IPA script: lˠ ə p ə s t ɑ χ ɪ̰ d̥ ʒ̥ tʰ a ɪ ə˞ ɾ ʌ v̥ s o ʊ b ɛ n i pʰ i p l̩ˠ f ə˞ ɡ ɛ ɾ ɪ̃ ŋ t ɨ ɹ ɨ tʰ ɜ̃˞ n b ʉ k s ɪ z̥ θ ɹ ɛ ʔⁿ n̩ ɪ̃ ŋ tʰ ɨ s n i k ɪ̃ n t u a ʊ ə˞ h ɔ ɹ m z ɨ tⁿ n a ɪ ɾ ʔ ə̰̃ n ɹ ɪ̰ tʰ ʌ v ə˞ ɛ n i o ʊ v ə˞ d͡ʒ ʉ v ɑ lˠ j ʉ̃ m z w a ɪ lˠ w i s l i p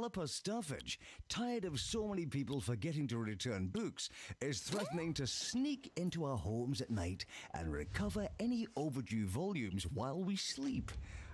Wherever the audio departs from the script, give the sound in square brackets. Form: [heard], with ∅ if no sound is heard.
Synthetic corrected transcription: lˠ ə p ə s t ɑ [f] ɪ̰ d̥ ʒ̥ tʰ a ɪ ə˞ ɾ ʌ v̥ s o ʊ [m] ɛ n i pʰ i p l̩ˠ f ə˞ ɡ ɛ ɾ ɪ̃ ŋ t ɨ ɹ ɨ tʰ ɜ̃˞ n b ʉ k s ɪ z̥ θ ɹ ɛ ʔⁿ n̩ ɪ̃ ŋ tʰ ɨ s n i k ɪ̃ n t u a ʊ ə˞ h ɔ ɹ m z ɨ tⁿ n a ɪ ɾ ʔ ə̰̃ n ɹ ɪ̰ [kʰ] ʌ v ə˞ ɛ n i o ʊ v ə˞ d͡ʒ ʉ v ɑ lˠ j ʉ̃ m z w a ɪ lˠ w i s l i p